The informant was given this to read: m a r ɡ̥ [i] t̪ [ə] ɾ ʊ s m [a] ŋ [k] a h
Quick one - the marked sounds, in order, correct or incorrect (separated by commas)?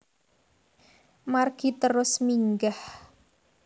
correct, correct, incorrect, incorrect